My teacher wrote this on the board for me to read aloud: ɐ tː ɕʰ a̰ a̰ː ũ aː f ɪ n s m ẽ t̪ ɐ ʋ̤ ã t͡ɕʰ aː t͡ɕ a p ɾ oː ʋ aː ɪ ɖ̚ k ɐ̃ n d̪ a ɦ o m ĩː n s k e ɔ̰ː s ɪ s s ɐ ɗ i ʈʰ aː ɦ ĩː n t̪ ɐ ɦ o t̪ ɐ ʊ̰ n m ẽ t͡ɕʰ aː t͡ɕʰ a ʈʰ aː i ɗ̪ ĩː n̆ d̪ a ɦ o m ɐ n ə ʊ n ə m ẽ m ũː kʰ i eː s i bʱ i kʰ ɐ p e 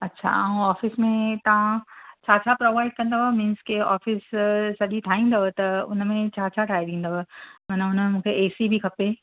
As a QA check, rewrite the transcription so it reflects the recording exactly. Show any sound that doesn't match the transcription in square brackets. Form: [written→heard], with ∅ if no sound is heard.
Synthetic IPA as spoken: ɐ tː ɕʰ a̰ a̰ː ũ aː f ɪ [n→∅] s m ẽ t̪ ɐ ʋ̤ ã t͡ɕʰ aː [t͡ɕ→t͡ɕʰ] a p ɾ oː ʋ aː ɪ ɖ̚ k ɐ̃ n d̪ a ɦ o m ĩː n s k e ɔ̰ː [s→f] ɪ s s ɐ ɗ i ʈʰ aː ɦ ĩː n [t̪→d̪] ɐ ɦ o t̪ ɐ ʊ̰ n m ẽ t͡ɕʰ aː t͡ɕʰ a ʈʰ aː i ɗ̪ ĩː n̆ d̪ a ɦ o m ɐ n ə ʊ n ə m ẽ m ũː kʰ [i→e] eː s i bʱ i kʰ ɐ p e